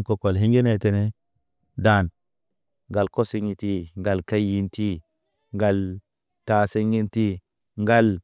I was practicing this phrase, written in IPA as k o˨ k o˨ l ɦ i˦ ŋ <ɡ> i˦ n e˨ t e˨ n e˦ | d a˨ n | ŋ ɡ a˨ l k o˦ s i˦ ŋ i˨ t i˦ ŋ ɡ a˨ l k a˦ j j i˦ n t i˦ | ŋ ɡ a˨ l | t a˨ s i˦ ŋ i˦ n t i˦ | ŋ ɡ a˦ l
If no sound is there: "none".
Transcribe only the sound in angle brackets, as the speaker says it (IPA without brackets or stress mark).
ɡ